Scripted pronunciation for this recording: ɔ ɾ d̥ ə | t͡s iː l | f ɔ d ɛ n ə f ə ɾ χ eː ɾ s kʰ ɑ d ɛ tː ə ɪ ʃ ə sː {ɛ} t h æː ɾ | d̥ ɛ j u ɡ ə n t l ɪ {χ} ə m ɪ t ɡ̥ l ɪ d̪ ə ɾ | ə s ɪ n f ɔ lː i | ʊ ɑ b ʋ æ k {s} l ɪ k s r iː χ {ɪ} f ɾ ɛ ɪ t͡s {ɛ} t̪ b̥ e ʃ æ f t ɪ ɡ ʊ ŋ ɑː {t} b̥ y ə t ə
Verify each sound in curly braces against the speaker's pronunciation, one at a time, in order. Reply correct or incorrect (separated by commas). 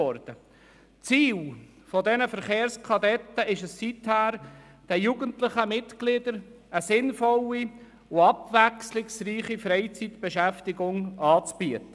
incorrect, correct, correct, incorrect, incorrect, incorrect